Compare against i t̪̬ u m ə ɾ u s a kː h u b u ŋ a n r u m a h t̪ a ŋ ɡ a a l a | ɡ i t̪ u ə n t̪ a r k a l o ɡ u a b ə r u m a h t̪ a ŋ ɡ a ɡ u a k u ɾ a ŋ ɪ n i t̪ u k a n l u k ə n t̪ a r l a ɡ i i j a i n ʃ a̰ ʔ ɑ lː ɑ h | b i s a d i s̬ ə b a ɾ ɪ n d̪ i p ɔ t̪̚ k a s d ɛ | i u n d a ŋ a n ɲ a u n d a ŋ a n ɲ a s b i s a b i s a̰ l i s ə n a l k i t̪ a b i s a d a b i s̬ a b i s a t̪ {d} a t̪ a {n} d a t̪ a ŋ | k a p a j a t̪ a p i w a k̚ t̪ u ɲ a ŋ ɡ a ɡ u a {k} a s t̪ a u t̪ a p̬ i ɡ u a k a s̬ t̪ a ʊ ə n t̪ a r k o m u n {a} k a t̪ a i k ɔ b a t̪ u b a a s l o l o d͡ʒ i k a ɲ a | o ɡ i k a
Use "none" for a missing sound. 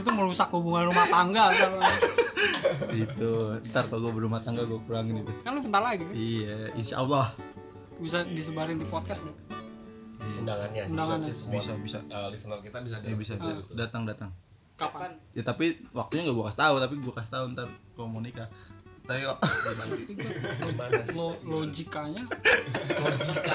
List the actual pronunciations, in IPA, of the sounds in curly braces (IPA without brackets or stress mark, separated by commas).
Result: d, ŋ, k, i